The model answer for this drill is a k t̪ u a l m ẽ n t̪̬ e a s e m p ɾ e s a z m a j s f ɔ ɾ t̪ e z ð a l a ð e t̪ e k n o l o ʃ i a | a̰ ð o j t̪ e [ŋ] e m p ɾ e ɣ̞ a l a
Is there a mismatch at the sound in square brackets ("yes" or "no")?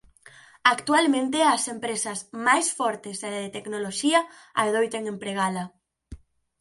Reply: no